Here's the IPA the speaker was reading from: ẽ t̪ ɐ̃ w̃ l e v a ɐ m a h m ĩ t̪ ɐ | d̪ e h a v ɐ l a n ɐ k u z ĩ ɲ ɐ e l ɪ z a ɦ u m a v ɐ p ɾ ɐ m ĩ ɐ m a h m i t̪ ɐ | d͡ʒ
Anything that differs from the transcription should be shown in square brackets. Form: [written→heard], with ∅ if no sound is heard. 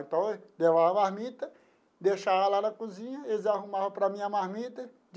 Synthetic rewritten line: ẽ t̪ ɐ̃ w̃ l e v a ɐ m a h m [ĩ→i] t̪ ɐ | d̪ e [h→ʃ] a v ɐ l a n ɐ k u z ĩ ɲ ɐ e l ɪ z a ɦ u m a v ɐ p ɾ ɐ m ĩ ɐ m a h m i t̪ ɐ | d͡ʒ